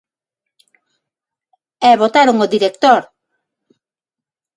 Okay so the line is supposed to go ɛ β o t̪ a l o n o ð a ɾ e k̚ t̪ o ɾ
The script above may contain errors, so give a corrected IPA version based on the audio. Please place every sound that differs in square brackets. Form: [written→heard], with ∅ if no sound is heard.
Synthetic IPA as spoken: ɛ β o t̪ a [l→ɾ] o [n→ŋ] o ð [a→i] ɾ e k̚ t̪ o ɾ